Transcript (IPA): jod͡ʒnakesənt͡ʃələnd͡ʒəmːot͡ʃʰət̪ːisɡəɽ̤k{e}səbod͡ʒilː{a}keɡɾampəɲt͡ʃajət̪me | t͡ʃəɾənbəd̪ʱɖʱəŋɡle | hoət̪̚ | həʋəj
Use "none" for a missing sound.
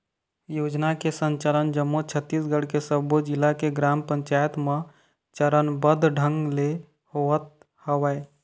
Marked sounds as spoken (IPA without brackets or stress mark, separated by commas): e, a